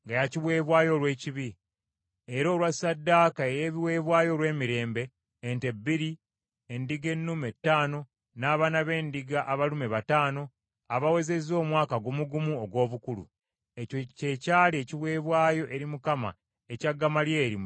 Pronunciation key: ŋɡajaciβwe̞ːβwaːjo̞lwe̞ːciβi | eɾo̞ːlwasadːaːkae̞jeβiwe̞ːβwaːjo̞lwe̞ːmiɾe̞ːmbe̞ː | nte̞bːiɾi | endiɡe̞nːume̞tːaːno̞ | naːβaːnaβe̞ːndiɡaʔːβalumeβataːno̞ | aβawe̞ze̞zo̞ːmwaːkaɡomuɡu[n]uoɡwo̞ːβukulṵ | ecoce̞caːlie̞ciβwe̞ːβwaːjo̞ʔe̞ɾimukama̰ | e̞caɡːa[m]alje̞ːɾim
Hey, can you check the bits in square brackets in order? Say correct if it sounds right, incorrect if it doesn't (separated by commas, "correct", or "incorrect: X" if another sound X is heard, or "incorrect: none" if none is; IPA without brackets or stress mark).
incorrect: m, correct